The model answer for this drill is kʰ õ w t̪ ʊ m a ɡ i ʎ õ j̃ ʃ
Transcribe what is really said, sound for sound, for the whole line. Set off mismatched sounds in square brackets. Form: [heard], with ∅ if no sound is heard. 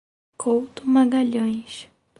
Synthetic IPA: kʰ [o] w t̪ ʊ m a ɡ [a] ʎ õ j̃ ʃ